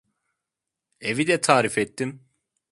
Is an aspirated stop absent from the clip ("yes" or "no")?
no